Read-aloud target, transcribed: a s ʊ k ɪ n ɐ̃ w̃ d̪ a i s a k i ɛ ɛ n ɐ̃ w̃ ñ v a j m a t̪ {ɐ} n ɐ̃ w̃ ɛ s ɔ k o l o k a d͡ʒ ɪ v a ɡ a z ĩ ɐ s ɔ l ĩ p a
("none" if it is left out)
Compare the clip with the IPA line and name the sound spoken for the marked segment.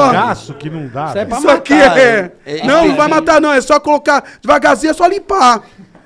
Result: a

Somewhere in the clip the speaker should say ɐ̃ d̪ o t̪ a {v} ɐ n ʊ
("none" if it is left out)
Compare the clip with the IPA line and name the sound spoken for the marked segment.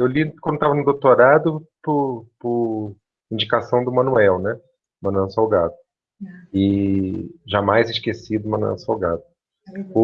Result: v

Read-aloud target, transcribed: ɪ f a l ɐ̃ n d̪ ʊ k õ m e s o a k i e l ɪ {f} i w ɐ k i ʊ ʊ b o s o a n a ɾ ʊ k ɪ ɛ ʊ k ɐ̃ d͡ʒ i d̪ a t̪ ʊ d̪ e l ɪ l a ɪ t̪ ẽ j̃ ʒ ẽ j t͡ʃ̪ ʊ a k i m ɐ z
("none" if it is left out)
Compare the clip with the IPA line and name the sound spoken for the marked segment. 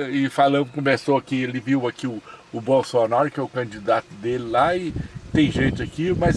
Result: v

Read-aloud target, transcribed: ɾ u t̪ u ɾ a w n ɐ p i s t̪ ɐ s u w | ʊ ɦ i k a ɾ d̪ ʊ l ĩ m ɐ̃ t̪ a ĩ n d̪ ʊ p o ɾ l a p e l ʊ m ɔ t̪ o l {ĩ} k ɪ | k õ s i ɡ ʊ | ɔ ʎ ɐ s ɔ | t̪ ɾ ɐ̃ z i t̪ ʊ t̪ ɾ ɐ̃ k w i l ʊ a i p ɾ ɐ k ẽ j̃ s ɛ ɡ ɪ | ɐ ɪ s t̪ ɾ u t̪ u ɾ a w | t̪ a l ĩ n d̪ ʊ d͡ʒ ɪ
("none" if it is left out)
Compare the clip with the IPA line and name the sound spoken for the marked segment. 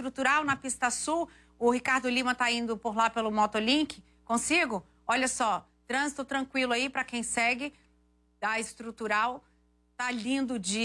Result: ĩ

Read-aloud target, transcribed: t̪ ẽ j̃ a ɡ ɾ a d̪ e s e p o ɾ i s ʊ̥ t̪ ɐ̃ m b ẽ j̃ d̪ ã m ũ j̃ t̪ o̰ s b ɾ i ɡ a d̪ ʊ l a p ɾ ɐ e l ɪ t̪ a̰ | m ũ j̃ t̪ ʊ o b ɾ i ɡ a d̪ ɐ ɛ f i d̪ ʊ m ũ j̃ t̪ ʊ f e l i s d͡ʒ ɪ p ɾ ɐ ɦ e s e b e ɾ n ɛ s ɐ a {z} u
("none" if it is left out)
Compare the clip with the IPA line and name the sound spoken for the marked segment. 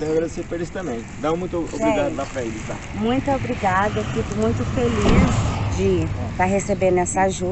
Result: ʒ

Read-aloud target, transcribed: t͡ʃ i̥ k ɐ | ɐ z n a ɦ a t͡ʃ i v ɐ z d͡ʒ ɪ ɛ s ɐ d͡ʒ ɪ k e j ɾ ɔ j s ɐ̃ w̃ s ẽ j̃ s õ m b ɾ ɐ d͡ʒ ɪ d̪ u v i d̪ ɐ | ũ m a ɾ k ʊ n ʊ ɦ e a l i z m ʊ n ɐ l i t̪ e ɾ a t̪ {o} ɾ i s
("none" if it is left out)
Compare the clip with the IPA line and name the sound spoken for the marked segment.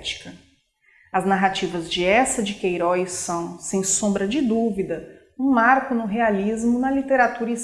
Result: u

